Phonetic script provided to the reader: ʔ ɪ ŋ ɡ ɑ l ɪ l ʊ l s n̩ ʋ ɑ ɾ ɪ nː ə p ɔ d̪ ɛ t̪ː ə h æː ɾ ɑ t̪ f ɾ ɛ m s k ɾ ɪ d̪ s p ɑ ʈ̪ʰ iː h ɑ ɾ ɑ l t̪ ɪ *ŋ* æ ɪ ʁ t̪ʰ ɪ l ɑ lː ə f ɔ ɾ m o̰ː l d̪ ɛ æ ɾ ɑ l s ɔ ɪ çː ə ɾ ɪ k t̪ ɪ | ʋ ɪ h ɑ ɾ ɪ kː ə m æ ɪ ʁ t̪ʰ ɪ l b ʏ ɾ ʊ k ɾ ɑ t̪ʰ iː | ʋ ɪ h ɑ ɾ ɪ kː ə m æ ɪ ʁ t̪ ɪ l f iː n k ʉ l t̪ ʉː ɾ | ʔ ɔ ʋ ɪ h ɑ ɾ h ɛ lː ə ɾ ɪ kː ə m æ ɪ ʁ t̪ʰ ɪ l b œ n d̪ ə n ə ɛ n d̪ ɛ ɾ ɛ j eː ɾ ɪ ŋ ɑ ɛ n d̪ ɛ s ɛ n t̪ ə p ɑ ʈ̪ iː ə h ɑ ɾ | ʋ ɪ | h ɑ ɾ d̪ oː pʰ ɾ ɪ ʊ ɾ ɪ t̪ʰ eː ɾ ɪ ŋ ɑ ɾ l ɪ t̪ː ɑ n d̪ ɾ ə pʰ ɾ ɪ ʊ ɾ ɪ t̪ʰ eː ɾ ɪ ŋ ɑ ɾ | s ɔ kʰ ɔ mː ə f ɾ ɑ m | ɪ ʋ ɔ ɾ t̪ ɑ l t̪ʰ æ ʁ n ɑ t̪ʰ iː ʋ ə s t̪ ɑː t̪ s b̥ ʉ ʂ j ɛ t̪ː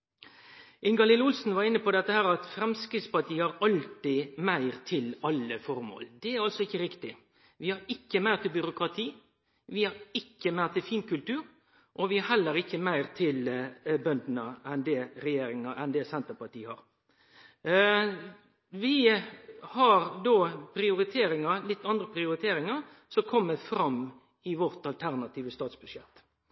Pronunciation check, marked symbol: incorrect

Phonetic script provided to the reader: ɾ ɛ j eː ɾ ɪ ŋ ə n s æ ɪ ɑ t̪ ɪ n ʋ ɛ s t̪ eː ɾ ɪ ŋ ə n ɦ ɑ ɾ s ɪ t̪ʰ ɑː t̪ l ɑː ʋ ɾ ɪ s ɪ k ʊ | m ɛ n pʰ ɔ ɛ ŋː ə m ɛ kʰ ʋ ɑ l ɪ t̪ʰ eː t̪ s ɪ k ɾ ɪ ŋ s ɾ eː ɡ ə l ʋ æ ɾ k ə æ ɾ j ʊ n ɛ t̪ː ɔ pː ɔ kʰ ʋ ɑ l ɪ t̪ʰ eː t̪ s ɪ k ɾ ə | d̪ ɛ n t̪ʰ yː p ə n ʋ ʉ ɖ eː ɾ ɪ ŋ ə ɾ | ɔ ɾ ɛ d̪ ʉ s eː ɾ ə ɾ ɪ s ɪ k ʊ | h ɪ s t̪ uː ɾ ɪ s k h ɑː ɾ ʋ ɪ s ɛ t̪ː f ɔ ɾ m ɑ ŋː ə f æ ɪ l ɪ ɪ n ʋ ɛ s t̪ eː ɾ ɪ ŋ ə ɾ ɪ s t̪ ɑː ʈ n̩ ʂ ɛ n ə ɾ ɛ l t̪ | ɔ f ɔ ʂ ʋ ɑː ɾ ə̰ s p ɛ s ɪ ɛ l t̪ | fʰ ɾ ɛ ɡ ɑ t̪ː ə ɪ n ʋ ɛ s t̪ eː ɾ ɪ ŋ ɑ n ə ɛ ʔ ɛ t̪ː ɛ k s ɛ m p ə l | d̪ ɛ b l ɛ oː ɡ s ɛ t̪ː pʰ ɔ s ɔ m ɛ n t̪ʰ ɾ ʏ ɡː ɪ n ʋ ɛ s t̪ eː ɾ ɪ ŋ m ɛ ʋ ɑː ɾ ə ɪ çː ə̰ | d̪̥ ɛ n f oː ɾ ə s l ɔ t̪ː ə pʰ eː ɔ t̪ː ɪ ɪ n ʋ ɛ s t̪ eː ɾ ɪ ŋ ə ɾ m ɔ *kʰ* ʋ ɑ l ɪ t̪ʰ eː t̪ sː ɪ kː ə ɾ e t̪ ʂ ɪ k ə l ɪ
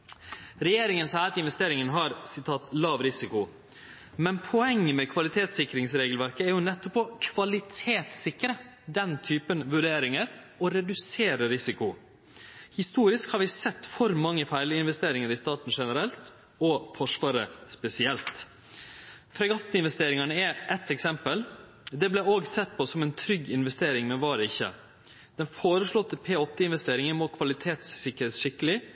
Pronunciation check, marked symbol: correct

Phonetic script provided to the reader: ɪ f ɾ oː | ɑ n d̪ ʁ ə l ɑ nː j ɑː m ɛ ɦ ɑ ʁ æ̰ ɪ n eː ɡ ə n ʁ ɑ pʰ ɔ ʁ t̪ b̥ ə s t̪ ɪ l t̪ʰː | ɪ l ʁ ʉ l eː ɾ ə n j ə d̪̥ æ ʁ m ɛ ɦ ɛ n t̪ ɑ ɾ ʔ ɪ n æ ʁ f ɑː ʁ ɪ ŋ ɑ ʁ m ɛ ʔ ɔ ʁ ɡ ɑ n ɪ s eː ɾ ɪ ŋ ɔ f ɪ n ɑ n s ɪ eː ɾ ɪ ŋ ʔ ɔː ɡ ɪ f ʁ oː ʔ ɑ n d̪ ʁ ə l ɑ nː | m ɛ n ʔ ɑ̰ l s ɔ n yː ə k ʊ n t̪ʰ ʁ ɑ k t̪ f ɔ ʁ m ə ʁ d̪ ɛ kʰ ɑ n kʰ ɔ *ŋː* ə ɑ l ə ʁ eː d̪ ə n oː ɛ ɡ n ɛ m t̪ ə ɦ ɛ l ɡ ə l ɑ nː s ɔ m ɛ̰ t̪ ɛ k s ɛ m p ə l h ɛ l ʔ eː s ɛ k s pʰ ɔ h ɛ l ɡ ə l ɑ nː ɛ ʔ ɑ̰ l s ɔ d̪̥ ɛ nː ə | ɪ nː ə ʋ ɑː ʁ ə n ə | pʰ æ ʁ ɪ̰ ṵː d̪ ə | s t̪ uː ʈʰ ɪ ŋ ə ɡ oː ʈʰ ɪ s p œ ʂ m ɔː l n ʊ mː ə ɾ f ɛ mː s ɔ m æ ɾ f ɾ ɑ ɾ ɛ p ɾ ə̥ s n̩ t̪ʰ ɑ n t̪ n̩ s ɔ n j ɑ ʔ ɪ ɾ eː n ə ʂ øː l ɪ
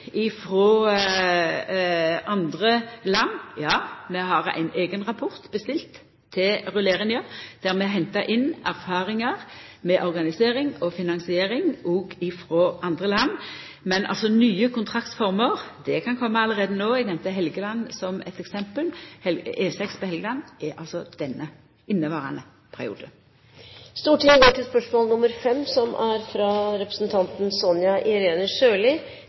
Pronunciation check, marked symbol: incorrect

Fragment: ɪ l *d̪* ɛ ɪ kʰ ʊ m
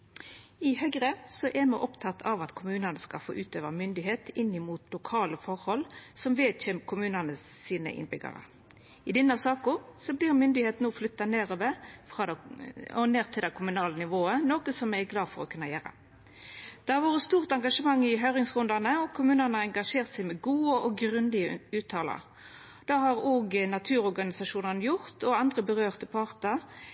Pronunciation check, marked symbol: correct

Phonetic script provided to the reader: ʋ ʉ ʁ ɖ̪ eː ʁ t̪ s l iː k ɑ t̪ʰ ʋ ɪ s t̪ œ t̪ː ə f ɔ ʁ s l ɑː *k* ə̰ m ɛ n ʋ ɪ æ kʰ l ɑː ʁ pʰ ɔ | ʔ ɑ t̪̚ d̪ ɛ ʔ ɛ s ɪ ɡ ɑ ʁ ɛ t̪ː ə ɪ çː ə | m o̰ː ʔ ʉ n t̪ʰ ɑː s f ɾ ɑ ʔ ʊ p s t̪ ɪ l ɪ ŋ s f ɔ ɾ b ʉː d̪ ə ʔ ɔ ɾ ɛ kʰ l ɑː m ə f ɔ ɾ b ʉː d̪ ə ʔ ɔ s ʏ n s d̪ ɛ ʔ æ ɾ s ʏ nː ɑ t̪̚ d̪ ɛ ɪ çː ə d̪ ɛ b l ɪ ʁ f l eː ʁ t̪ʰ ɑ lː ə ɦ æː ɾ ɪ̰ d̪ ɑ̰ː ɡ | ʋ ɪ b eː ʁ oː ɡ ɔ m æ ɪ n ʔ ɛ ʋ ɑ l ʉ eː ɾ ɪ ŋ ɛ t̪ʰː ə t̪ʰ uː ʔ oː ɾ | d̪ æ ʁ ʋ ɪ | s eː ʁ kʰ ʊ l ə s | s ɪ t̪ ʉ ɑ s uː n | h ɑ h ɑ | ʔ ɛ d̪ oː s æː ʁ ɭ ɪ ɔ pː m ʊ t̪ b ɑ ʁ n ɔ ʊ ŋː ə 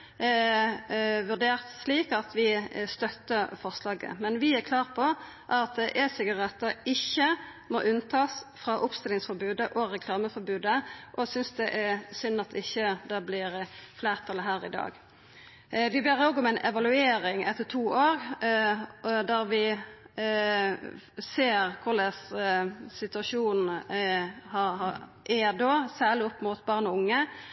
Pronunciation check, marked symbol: incorrect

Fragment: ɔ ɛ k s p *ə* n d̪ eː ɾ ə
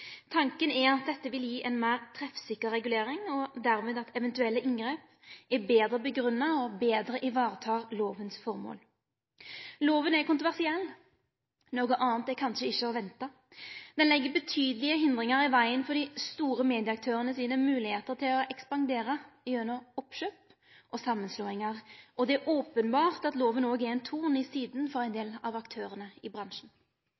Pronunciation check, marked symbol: incorrect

